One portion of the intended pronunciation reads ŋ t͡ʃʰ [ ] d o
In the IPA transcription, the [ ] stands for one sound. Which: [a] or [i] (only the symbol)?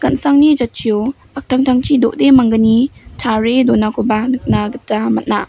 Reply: i